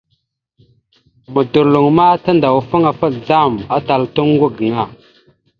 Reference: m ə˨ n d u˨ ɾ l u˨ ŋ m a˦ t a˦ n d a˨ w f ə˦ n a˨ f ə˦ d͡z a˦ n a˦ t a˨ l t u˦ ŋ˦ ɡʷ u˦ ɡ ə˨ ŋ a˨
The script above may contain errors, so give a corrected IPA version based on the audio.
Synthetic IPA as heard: m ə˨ d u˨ ɾ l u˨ ŋ m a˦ t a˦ n d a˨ w f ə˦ ŋ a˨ f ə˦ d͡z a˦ m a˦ t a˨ l t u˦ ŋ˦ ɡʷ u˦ ɡ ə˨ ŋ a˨